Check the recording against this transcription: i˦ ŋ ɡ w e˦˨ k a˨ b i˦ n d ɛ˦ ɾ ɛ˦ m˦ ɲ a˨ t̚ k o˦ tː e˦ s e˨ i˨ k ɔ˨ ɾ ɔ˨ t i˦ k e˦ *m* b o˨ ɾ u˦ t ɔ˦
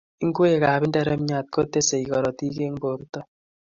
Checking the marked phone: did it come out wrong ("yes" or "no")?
yes